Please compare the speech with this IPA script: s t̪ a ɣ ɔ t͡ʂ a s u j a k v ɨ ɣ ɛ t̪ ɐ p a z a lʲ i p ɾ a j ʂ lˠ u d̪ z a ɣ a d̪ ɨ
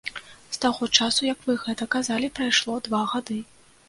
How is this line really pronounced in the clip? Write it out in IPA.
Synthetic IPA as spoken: s t̪ a ɣ ɔ t͡ʂ a s u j ɐ k v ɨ ɣ ɛ t̪ ɐ k a z a lʲ i p ɾ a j ʂ lˠ ɔ d̪ v a ɣ a d̪ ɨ